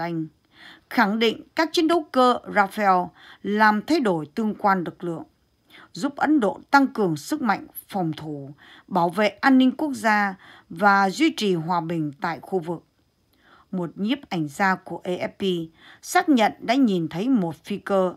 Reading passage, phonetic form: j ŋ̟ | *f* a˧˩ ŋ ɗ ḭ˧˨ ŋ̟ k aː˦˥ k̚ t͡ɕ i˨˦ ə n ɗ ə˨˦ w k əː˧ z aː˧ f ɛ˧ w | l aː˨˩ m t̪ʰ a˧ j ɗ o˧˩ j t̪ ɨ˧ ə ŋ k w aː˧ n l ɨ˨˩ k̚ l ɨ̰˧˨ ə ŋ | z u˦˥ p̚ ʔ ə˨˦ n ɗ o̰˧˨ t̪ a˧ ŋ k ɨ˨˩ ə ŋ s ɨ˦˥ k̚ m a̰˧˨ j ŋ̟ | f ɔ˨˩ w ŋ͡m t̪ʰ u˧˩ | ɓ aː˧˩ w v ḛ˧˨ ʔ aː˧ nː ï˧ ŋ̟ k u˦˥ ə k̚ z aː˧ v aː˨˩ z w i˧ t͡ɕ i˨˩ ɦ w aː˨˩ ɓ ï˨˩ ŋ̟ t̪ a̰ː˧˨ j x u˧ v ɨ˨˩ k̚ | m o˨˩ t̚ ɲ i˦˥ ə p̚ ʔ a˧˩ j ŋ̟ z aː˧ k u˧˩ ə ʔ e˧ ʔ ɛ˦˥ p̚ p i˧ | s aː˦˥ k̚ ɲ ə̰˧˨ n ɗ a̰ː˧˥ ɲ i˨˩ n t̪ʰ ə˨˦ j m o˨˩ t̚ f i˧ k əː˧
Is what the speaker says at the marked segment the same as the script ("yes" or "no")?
no